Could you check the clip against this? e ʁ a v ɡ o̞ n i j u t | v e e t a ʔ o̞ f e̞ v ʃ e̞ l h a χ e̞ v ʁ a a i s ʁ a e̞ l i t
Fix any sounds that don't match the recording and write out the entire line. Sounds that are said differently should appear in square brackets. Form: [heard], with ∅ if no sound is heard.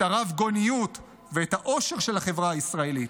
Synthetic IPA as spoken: [a] ʁ a v ɡ o̞ n i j u t | v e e t a ʔ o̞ [ʃ] e̞ [ʁ] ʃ e̞ l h a χ e̞ v ʁ a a i s ʁ a e̞ l i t